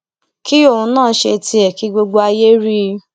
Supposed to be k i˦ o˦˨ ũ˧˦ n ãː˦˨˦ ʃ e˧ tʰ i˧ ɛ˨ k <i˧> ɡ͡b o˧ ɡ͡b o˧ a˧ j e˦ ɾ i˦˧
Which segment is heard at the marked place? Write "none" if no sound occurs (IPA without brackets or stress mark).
i˧